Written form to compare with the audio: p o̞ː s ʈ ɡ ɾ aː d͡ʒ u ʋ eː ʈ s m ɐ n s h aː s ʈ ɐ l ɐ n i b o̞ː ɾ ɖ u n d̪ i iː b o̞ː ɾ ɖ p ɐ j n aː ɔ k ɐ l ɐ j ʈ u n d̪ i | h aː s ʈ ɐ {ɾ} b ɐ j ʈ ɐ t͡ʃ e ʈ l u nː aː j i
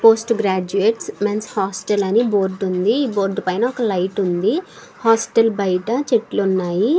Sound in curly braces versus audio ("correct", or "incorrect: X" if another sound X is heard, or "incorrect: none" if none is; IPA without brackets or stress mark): incorrect: l